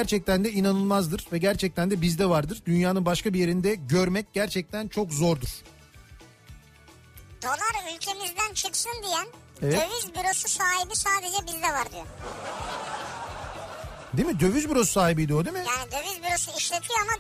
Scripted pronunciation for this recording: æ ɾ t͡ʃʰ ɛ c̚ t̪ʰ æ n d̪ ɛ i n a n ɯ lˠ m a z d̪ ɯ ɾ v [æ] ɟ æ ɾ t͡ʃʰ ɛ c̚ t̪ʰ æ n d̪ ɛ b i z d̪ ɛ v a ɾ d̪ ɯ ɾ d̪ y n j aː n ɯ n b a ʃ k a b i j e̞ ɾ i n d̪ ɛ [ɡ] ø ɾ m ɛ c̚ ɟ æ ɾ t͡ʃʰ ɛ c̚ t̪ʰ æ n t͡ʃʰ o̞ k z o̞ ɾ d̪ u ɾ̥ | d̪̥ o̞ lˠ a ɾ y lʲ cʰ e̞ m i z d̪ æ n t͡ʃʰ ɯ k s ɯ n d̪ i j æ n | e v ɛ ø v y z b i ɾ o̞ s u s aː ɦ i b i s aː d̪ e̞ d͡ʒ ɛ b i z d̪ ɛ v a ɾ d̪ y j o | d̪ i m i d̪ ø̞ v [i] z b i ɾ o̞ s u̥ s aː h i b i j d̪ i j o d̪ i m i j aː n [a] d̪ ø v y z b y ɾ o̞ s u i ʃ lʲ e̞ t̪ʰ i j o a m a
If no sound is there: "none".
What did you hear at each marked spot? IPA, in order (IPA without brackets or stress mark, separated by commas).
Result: ɛ, ɟ, y, i